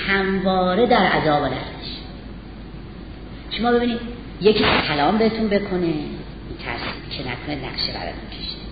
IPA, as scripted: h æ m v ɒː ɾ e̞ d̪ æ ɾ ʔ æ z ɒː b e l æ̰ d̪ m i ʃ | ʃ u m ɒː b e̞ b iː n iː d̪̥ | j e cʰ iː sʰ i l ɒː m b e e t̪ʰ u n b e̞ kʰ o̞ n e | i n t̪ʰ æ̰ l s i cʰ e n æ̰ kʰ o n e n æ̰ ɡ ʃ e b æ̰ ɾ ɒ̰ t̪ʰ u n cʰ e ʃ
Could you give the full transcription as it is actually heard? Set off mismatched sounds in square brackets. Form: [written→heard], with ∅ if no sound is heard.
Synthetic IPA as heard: h æ m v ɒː ɾ e̞ d̪ æ ɾ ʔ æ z ɒː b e l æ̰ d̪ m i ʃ | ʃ [u→o] m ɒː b e̞ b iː n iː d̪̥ | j e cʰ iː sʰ [i→æ] l ɒː m b e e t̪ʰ u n b e̞ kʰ o̞ n e | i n t̪ʰ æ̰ [l→ɾ] s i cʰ e n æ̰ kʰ o n e n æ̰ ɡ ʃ e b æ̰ ɾ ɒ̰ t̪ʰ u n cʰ e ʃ